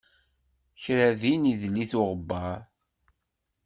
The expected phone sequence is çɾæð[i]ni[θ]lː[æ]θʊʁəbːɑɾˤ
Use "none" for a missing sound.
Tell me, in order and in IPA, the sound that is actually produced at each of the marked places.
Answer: i, ð, i

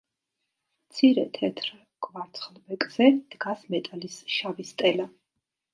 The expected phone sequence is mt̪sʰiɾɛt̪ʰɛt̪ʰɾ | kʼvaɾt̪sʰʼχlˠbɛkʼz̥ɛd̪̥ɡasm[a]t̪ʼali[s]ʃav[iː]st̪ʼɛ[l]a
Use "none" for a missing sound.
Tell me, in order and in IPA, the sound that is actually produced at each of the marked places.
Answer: ɛ, s, i, l

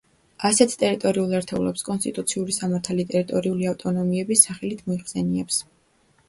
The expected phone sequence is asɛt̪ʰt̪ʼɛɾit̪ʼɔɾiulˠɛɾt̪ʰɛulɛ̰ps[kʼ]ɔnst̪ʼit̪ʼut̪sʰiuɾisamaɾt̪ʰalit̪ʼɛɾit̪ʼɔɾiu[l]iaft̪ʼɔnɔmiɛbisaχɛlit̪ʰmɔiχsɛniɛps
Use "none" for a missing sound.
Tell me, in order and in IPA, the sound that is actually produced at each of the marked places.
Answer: kʼ, l

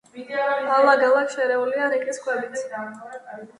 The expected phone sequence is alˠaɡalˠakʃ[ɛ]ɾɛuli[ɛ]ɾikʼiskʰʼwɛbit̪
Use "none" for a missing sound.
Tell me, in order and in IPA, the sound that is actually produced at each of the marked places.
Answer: ɛ, a

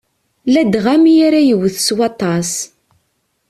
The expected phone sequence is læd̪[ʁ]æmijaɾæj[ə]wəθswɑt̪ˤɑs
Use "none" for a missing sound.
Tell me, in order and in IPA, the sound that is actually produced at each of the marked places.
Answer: ʁ, ə

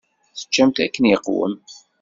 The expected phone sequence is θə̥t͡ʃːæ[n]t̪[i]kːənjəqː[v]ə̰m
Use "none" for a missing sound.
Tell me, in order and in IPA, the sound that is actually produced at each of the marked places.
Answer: m, æ, w

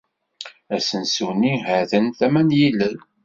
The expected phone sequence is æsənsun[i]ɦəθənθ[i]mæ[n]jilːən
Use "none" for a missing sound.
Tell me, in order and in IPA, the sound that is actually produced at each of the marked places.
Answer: i, æ, n

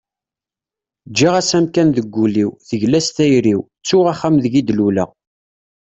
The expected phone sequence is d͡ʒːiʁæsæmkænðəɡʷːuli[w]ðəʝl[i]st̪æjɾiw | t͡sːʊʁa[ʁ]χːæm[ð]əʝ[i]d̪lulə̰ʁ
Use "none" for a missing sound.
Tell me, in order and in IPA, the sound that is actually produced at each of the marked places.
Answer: w, æ, none, ð, i

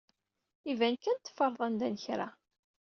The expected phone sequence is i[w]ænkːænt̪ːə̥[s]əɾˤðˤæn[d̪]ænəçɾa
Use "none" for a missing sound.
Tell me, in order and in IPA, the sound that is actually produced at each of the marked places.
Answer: v, f, d̪

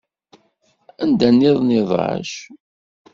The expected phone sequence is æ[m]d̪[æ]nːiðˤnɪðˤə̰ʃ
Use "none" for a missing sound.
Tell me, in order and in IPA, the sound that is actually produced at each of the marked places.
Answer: n, æ

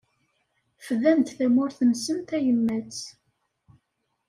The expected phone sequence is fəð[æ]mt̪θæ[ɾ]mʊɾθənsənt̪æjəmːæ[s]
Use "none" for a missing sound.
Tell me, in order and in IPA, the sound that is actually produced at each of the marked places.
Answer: æ, none, t͡s

